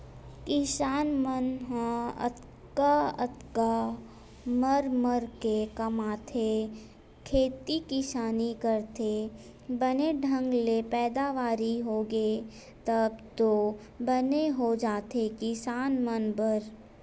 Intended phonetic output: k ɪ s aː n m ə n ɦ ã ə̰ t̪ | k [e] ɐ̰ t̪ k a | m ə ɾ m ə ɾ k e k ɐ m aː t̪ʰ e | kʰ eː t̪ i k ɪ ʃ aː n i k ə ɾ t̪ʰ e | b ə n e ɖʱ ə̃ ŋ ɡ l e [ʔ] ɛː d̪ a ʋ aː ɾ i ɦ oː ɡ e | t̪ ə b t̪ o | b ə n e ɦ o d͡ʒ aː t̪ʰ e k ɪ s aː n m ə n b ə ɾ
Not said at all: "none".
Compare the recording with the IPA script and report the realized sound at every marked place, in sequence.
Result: a, p

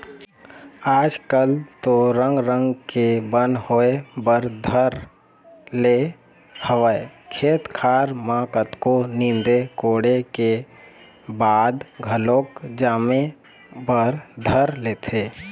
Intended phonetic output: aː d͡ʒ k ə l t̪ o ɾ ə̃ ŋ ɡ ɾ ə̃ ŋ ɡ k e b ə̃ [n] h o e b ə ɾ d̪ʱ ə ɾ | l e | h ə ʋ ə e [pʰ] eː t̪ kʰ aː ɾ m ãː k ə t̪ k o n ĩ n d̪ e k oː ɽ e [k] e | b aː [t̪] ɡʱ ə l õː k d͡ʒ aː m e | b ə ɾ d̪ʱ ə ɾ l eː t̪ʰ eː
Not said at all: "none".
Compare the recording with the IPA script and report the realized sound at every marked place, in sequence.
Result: n, kʰ, k, d̪

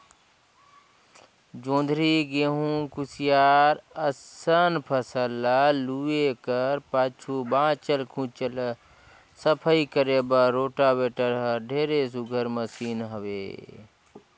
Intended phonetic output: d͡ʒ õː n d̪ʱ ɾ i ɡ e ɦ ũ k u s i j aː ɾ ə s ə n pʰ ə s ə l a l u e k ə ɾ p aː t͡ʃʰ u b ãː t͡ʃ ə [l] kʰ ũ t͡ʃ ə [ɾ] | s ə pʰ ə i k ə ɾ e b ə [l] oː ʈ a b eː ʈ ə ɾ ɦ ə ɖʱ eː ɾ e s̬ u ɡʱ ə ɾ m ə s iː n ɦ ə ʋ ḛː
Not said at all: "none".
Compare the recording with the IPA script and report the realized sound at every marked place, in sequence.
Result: l, l, ɾ

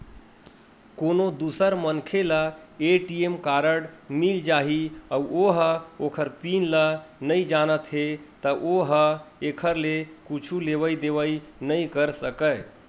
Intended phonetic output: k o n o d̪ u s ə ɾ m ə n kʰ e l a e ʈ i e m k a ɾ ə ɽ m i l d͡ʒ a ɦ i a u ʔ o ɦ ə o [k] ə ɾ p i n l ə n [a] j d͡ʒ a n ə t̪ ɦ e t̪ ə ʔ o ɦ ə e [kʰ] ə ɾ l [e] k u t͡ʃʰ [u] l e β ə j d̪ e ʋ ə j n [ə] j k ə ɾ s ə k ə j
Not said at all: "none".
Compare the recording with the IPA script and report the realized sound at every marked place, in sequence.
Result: kʰ, ə, kʰ, e, u, ə

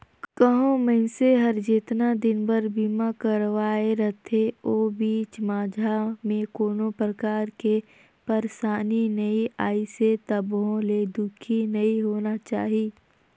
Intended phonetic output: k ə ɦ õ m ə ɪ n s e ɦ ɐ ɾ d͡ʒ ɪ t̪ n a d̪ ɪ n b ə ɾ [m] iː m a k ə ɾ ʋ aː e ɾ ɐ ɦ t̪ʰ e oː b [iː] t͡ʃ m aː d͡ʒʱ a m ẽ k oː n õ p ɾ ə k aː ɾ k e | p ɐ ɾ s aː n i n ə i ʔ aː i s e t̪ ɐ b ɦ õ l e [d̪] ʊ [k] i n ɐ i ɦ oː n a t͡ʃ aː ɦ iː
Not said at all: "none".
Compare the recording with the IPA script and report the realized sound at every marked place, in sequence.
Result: b, iː, d̪, kʰ

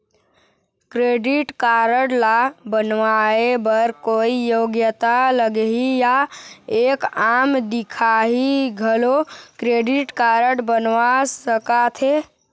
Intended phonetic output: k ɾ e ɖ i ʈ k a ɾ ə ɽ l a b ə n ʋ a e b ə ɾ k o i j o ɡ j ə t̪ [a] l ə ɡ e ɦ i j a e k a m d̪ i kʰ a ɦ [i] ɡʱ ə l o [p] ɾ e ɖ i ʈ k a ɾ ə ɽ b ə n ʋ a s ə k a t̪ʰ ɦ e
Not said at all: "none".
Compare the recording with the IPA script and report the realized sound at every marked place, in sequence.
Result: a, i, k

